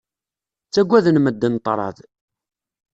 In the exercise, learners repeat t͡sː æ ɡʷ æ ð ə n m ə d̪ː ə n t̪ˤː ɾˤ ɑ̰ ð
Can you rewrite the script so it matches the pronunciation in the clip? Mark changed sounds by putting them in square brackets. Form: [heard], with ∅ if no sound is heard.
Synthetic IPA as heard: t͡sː æ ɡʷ æ ð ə n m ə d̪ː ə n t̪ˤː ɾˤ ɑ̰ ð